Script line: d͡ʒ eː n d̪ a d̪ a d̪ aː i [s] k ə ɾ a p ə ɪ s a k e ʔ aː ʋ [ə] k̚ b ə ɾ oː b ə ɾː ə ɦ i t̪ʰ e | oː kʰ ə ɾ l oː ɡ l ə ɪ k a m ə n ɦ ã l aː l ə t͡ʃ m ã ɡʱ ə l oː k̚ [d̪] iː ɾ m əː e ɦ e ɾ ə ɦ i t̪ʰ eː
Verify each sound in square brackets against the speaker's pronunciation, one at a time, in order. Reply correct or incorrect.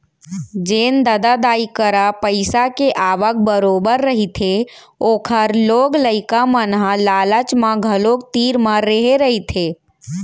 incorrect: none, correct, incorrect: t̪

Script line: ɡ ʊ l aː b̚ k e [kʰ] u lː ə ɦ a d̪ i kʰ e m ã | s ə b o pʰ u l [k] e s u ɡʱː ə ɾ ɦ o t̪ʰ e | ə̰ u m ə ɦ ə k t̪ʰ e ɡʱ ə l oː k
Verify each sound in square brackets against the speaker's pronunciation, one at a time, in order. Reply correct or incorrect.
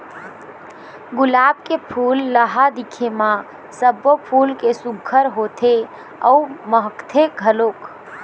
incorrect: pʰ, correct

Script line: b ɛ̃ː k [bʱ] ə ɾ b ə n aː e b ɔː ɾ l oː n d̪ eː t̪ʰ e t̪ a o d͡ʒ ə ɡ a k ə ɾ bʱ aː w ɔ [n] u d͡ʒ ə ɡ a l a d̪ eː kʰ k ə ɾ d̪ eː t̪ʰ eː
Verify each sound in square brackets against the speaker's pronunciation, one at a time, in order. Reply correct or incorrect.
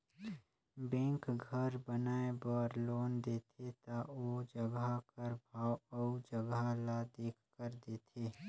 incorrect: ɡʱ, incorrect: none

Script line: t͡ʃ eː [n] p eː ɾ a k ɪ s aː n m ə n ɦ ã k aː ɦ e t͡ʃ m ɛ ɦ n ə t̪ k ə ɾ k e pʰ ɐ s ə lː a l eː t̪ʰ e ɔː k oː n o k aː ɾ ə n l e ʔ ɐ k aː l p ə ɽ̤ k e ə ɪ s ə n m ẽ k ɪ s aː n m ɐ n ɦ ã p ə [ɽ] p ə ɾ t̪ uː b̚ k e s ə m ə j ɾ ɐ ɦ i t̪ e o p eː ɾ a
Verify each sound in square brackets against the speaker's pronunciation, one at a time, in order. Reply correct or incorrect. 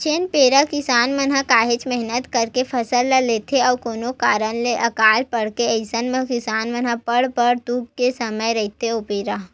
correct, correct

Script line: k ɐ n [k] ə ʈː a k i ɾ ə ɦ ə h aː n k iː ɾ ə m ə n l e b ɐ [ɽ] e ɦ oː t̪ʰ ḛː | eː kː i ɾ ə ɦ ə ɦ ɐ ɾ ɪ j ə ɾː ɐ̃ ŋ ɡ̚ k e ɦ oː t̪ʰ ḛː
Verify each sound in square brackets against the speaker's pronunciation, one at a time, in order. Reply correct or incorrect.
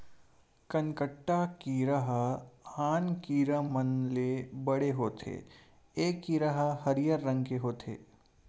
correct, correct

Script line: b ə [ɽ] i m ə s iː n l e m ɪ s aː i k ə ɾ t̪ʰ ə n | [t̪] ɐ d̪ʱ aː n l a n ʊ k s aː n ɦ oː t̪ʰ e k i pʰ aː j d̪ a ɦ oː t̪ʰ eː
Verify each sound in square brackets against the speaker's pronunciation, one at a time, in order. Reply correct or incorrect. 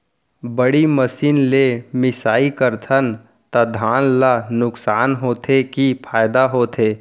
correct, correct

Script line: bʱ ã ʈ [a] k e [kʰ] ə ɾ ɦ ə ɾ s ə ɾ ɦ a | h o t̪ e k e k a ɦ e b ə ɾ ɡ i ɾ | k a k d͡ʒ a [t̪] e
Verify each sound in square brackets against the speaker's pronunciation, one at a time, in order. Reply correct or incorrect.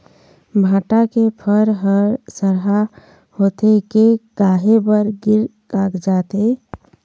correct, incorrect: pʰ, correct

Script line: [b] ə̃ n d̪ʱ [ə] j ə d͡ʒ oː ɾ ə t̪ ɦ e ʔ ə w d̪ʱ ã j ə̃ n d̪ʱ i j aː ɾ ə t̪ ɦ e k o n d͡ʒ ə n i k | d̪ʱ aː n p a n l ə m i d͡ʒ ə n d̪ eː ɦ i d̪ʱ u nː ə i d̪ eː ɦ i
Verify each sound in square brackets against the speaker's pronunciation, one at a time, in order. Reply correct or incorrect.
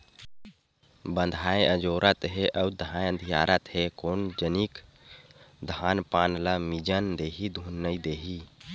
correct, incorrect: a

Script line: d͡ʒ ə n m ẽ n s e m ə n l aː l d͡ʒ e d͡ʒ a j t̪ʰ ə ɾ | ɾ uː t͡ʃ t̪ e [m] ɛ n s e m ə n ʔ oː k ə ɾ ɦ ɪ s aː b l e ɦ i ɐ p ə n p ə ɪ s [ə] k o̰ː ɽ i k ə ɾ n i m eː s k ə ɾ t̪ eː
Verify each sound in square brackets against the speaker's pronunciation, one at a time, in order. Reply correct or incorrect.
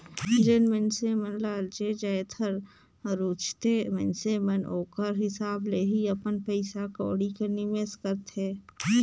correct, incorrect: a

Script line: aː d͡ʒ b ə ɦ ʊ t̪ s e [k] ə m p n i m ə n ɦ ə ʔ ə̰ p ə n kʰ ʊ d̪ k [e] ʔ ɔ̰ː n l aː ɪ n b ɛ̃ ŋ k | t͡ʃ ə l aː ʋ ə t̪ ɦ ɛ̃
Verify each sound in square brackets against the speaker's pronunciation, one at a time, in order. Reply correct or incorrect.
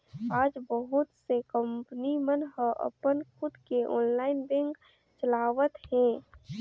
correct, correct

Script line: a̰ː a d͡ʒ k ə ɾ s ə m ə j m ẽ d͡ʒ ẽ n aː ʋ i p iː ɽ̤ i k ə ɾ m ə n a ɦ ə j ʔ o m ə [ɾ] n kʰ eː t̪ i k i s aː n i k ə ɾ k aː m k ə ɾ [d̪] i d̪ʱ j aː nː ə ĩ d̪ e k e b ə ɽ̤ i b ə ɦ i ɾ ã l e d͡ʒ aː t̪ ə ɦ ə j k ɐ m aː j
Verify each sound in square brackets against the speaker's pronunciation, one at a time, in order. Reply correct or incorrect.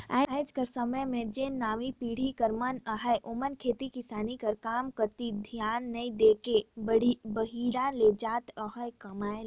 incorrect: none, incorrect: t̪

